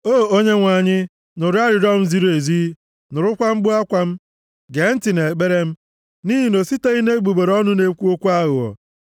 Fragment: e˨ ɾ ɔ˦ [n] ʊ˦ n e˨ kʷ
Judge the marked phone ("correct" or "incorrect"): correct